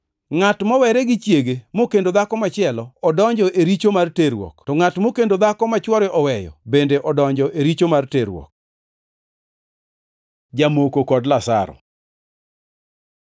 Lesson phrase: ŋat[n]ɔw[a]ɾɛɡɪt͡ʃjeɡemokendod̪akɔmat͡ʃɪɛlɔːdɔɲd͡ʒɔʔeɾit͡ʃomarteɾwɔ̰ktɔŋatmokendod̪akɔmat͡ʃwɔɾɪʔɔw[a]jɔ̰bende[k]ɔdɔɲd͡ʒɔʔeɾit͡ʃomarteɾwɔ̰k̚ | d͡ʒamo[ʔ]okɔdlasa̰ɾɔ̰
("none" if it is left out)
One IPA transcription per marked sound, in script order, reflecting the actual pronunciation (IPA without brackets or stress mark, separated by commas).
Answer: m, ɛ, ɛ, ʔ, k